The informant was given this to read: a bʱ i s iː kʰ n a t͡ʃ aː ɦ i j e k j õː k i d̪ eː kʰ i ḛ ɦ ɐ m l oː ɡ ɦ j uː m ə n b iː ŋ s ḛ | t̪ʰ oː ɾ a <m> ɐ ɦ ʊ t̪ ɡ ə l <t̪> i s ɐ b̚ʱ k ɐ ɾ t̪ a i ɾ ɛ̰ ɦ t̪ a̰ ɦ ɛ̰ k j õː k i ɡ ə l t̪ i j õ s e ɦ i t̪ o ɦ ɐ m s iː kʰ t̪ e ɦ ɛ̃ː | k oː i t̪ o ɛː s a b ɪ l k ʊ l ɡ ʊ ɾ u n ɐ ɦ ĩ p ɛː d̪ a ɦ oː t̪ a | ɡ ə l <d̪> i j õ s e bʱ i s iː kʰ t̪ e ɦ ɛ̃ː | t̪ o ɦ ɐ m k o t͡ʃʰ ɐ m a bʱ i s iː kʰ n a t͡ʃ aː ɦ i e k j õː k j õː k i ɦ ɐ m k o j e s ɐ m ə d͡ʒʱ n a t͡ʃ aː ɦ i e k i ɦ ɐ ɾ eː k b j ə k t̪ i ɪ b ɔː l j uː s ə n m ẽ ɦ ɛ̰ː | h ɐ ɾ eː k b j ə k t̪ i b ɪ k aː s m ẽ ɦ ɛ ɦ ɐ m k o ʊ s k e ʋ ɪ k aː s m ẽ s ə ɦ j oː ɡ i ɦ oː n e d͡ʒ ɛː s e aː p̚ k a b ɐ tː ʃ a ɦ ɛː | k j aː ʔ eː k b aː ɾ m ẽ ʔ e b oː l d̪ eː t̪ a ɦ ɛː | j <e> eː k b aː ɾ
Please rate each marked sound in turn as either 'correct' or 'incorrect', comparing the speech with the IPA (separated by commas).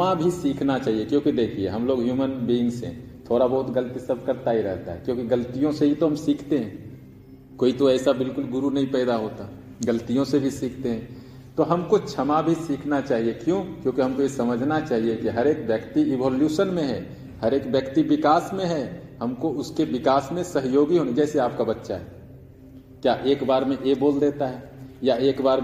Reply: incorrect, correct, incorrect, incorrect